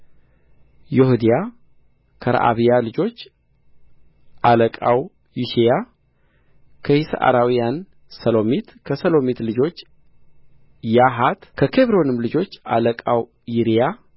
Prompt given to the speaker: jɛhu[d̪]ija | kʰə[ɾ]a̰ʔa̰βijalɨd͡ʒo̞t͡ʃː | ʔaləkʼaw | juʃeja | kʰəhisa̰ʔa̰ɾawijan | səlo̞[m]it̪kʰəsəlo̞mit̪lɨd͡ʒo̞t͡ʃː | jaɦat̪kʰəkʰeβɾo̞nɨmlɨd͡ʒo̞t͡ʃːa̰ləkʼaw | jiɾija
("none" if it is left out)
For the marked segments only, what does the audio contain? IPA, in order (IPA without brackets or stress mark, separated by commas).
d̪, ɾ, m